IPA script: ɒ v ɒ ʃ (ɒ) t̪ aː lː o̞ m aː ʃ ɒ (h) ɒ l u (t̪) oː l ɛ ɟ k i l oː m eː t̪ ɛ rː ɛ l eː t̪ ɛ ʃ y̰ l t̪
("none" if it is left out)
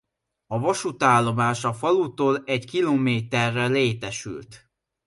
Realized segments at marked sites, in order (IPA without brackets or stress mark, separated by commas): u, f, t̪